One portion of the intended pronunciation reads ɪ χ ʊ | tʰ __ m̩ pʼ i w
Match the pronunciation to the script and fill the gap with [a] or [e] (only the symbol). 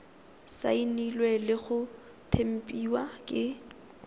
e